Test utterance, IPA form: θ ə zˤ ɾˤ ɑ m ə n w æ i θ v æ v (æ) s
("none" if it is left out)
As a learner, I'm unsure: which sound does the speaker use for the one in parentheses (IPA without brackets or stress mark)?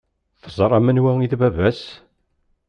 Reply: æ